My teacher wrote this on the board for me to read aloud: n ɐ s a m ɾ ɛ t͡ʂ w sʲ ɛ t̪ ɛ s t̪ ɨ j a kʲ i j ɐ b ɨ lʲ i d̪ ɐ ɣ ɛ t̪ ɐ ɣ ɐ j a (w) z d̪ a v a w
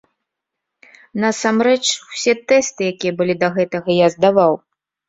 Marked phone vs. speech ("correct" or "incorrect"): incorrect